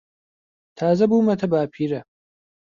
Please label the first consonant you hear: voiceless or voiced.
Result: voiceless